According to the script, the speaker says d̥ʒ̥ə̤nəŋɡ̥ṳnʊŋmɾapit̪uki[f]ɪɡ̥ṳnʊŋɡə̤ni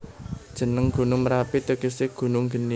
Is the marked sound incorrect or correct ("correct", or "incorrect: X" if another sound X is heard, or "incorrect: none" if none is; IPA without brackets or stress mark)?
incorrect: s